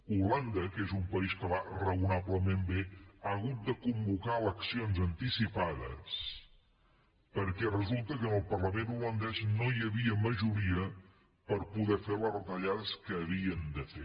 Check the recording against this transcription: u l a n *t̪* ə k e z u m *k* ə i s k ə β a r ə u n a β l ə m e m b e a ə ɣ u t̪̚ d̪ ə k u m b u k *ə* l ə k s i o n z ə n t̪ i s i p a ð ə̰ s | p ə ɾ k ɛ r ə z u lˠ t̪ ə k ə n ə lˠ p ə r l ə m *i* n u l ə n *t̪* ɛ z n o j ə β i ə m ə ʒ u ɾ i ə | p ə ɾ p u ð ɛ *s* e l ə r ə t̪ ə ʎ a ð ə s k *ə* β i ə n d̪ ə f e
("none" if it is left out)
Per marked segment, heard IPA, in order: d̪, p, a, e, d̪, f, əː

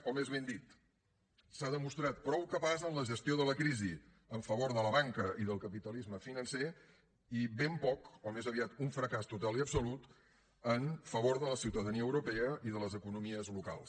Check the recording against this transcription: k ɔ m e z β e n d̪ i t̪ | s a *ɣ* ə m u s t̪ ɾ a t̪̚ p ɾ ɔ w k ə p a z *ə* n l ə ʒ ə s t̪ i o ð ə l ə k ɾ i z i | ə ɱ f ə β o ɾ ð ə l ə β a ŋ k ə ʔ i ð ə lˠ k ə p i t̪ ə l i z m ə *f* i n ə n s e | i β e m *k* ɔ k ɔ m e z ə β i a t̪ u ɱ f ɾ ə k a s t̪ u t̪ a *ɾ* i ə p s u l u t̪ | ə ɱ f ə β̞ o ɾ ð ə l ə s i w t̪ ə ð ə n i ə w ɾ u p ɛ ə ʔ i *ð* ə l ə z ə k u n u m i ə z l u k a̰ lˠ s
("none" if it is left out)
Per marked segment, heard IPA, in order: ð, ə, f, p, l, ð

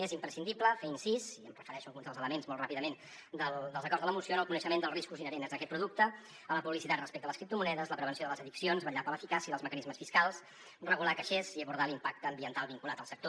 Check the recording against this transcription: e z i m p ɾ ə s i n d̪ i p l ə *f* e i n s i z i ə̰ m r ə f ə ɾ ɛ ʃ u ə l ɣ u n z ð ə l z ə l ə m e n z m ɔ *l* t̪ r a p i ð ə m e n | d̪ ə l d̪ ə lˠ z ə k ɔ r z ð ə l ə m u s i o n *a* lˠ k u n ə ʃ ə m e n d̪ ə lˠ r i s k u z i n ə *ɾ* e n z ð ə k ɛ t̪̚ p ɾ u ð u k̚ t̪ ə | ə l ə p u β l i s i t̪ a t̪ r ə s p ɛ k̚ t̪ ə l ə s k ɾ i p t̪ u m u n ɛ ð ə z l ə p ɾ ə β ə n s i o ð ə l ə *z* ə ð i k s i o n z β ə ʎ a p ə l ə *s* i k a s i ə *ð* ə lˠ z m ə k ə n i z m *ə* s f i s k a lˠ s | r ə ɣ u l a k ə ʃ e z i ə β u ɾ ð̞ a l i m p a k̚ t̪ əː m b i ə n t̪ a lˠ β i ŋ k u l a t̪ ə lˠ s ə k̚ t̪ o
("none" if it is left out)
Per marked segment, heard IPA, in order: f, l, ə, ɾ, z, f, ð, ə

